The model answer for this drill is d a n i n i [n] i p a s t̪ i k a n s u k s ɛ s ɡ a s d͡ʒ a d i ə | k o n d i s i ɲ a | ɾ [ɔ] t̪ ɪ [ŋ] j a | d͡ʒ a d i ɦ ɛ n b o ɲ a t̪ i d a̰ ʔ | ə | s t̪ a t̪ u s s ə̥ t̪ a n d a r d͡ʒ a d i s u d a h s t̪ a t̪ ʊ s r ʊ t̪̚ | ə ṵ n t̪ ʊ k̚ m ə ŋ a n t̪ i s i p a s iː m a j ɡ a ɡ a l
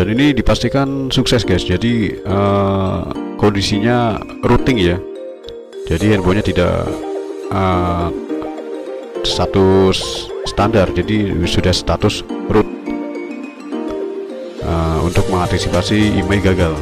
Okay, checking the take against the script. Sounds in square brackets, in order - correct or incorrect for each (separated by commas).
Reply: incorrect, incorrect, correct